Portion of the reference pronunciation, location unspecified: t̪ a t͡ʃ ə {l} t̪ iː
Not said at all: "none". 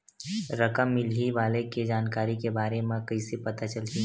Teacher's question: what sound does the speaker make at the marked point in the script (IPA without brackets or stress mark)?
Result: l